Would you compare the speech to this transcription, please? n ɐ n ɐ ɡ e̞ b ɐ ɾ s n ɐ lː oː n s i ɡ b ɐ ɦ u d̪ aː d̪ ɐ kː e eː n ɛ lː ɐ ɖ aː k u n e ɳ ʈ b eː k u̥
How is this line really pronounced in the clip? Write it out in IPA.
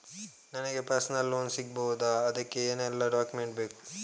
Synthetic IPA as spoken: n ɐ n ɐ ɡ e̞ p ɐ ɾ s n ɐ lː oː n s i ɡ b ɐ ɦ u d̪ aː d̪ ɐ kː e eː n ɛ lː ɐ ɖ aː k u m e ɳ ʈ b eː k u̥